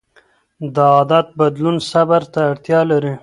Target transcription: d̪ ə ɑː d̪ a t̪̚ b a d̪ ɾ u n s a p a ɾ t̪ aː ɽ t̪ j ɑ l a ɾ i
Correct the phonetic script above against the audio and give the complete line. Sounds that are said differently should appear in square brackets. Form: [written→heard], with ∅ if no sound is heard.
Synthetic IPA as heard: d̪ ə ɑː d̪ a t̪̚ b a d̪ [ɾ→l] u n s a [p→b] a ɾ t̪ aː ɽ t̪ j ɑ l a ɾ i